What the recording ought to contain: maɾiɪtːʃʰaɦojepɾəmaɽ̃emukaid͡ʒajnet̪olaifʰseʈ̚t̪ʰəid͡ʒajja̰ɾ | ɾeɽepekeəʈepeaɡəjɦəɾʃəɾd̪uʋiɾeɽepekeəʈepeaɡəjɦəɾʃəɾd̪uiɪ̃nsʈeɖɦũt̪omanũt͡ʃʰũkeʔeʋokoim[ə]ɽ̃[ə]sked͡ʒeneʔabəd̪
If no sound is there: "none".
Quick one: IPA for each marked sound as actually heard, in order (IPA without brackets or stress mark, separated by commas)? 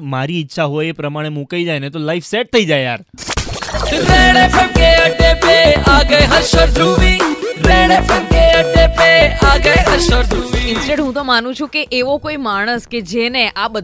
a, ə